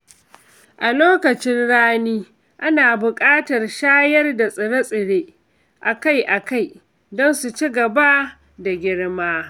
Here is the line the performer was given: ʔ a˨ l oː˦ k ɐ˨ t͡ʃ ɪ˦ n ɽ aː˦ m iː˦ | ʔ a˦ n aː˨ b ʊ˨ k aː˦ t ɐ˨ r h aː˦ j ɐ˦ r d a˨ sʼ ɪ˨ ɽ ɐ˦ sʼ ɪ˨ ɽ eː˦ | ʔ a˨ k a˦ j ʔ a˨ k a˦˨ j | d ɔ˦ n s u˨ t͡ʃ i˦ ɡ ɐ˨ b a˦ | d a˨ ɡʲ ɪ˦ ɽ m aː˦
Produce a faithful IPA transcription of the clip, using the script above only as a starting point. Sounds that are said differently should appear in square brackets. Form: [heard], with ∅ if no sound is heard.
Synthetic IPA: ʔ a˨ l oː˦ k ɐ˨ t͡ʃ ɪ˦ n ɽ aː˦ [n] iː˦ | ʔ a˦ n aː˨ b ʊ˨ [kʼ] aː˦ t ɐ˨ r [ʃ] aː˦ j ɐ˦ r d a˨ sʼ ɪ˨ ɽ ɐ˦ sʼ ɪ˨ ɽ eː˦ | ʔ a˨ k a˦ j ʔ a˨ k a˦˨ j | d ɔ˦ n s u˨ t͡ʃ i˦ ɡ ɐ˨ b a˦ | d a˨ ɡʲ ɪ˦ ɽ m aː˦